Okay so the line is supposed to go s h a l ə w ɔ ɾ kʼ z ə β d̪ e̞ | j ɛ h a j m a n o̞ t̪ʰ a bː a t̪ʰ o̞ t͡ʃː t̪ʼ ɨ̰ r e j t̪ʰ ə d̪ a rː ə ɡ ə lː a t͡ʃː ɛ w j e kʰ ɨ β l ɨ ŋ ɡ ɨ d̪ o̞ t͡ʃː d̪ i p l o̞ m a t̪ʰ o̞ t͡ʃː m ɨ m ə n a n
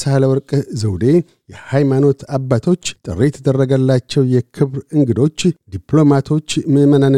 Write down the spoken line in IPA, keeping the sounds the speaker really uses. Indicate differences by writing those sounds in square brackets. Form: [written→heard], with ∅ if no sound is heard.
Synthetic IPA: s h a l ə w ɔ ɾ kʼ z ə [β→w] d̪ e̞ | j ɛ h a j m a n o̞ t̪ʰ a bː a t̪ʰ o̞ t͡ʃː t̪ʼ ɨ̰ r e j t̪ʰ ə d̪ [a→ə] rː ə ɡ ə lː a t͡ʃː ɛ w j [e→ɛ] kʰ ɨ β [l→ɾ] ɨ ŋ ɡ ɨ d̪ o̞ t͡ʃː d̪ i p l o̞ m a t̪ʰ o̞ t͡ʃː m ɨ m ə n a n